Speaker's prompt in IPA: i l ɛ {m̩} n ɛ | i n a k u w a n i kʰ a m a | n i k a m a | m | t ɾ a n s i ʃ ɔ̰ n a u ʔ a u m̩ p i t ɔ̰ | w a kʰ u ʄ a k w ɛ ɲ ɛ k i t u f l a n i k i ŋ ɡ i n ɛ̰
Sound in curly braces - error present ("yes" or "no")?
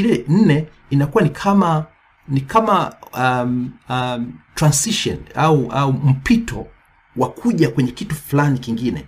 yes